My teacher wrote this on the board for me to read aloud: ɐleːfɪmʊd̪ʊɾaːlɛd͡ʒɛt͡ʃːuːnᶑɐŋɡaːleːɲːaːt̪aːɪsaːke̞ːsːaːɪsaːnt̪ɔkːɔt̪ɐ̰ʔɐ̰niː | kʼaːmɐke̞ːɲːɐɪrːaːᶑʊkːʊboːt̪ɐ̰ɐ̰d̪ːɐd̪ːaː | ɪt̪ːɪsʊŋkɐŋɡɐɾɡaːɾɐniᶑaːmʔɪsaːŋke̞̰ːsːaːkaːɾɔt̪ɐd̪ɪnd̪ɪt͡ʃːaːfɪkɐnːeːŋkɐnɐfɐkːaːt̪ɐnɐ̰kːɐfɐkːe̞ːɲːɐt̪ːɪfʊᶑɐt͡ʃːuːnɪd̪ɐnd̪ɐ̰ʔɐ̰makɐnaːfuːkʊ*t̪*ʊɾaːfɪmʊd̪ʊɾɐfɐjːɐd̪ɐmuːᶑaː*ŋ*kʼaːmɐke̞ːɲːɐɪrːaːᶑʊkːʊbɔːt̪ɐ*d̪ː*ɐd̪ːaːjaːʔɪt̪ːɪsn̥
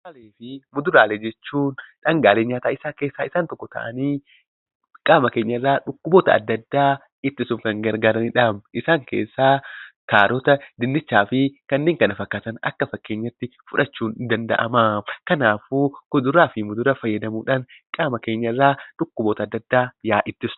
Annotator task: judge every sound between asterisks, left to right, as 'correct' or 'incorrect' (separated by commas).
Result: incorrect, incorrect, correct